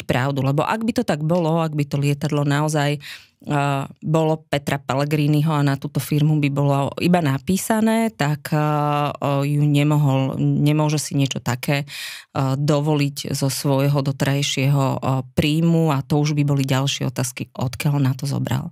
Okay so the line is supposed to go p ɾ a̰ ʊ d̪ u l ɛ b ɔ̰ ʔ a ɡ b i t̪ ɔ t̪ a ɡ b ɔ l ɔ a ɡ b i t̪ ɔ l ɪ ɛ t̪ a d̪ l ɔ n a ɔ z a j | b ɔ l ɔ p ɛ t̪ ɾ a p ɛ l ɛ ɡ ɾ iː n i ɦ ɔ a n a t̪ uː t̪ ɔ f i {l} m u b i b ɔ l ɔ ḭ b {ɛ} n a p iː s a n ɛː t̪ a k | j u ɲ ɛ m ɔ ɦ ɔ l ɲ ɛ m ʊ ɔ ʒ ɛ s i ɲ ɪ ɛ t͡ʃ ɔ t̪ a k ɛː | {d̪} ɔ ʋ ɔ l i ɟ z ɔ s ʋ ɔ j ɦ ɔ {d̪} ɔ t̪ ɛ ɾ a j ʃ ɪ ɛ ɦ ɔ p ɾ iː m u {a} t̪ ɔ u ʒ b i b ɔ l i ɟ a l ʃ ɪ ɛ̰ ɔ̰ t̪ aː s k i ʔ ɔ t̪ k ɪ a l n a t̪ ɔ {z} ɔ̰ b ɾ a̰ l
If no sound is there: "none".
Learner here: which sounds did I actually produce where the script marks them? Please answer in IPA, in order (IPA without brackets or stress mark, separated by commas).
ɾ, a, d̪, d̪, a, z